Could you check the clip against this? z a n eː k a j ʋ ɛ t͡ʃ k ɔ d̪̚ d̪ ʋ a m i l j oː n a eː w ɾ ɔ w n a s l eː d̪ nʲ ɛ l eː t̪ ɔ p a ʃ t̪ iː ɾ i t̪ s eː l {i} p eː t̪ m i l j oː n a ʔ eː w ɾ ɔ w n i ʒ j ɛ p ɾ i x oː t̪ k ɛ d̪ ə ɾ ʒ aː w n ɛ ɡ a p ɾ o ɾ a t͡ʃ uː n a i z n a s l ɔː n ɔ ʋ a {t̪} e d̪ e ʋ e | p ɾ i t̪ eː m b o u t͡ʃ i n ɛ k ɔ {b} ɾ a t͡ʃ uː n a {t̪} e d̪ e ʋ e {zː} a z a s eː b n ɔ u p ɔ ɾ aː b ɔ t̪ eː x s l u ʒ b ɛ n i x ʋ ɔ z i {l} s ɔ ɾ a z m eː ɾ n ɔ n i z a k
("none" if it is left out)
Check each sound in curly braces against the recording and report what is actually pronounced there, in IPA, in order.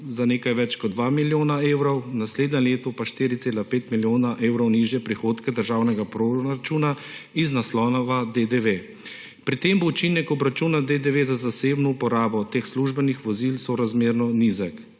a, d̪, b, d̪, z, l

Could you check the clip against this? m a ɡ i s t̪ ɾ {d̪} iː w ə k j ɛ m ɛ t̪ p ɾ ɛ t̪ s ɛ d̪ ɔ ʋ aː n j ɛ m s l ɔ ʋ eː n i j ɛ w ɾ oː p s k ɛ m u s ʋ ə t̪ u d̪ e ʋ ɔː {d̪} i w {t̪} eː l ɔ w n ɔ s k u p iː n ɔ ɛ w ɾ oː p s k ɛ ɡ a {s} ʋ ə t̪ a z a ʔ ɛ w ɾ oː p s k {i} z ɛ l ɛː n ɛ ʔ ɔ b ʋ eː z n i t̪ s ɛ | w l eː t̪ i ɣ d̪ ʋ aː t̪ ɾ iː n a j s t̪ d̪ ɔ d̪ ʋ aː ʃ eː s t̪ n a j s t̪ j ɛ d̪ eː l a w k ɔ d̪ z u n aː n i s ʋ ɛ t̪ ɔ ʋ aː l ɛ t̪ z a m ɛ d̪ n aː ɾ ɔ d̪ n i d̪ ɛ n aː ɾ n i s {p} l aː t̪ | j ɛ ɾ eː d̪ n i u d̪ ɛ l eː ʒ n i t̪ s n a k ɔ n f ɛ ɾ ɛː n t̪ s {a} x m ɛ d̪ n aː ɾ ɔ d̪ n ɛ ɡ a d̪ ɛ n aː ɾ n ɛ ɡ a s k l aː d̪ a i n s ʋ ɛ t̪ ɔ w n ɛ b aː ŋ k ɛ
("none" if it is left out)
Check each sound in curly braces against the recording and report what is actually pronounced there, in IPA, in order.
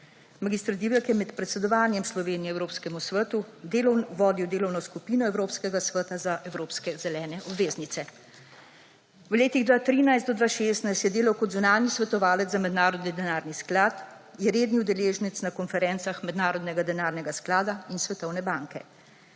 d̪, d̪, d̪, s, ɛ, k, a

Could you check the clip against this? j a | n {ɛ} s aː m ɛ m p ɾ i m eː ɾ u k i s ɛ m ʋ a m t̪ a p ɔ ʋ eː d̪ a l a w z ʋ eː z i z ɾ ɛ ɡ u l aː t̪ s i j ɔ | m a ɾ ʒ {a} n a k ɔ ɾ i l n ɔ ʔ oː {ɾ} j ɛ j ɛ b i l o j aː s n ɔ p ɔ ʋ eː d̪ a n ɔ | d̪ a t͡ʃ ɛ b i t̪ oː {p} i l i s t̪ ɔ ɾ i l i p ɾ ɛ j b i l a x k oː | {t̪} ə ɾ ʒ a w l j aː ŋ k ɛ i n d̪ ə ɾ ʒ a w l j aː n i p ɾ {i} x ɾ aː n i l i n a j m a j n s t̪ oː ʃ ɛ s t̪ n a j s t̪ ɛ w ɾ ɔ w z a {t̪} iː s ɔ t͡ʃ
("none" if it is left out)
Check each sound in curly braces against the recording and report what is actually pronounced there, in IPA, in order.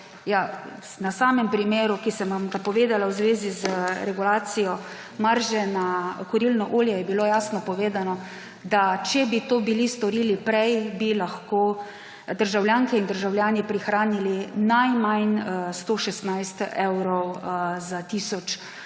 a, ɛ, l, b, d̪, i, t̪

